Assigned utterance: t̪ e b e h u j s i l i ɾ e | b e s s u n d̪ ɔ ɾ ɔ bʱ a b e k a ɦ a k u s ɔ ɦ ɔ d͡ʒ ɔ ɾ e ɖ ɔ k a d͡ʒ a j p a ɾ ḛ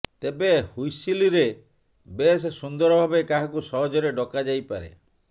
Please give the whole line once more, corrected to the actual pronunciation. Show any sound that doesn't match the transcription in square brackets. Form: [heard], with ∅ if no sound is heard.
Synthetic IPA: t̪ e b e h u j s i l i ɾ e | b e s s u n d̪ ɔ ɾ ɔ bʱ a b e k a ɦ a k u s ɔ ɦ ɔ d͡ʒ ɔ ɾ e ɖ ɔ k a d͡ʒ a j p a ɾ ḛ